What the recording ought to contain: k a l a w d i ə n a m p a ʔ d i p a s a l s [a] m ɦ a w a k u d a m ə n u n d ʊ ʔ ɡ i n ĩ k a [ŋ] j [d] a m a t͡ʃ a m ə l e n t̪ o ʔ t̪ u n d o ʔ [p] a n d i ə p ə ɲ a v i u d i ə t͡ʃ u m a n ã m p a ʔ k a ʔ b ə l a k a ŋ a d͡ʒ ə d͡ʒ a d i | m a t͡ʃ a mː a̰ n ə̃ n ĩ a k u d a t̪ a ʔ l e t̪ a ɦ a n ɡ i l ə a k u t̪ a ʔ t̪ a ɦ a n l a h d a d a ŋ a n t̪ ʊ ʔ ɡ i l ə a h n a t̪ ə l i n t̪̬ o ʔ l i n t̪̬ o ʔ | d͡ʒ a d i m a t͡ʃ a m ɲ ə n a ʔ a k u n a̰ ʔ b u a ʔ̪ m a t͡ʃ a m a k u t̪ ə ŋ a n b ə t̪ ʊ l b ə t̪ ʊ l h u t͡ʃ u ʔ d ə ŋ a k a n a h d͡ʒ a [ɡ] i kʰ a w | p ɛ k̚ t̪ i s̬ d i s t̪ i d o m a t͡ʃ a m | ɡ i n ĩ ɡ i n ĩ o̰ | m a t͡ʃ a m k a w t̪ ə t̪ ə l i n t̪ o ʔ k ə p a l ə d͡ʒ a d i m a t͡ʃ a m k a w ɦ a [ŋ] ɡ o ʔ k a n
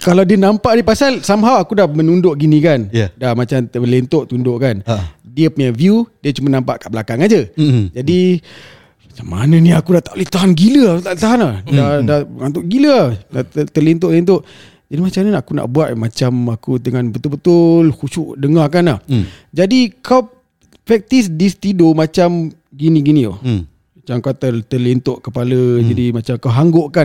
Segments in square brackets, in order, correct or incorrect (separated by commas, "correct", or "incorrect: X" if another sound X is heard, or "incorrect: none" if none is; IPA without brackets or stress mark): correct, incorrect: n, correct, incorrect: k, incorrect: d, correct